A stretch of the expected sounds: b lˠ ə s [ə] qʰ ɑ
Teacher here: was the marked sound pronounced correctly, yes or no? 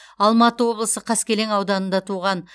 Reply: yes